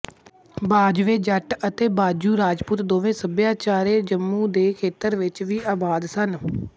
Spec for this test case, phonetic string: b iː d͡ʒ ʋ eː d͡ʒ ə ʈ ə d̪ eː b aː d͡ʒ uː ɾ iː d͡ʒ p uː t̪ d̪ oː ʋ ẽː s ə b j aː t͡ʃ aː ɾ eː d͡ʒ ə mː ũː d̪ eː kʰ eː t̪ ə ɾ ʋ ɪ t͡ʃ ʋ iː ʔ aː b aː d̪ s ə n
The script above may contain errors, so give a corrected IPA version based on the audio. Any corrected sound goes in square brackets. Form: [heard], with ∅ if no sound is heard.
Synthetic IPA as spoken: b [aː] d͡ʒ ʋ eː d͡ʒ ə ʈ ə [t̪] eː b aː d͡ʒ uː ɾ [aː] d͡ʒ p uː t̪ d̪ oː ʋ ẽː s ə b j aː t͡ʃ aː ɾ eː d͡ʒ ə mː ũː d̪ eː kʰ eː t̪ ə ɾ ʋ ɪ t͡ʃ ʋ iː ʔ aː b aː d̪ s ə n